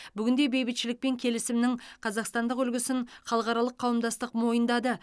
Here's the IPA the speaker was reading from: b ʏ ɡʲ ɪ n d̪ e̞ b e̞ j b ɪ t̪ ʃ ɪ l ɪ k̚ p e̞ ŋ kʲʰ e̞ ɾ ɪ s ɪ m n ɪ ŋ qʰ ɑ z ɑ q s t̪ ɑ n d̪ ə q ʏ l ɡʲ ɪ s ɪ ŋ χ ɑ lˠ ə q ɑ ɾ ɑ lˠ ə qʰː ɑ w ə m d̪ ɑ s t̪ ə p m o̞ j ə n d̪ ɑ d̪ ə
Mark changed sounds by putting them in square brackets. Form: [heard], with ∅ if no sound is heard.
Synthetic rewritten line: b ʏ ɡʲ ɪ n d̪ e̞ b e̞ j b ɪ t̪ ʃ ɪ l ɪ k̚ p e̞ ŋ kʲʰ e̞ [l] ɪ s ɪ m n ɪ ŋ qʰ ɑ z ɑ q s t̪ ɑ n d̪ ə q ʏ l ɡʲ ɪ s ɪ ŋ χ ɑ lˠ ə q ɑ ɾ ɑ lˠ ə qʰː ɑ w ə m d̪ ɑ s t̪ ə [q] m o̞ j ə n d̪ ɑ d̪ ə